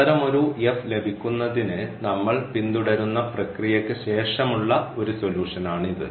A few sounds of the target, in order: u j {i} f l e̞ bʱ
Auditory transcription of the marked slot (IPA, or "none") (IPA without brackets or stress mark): e